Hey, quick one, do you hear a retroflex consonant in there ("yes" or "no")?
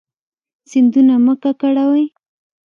yes